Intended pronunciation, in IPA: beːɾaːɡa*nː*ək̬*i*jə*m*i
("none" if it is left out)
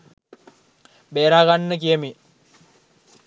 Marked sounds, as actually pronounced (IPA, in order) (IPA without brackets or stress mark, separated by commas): nː, i, m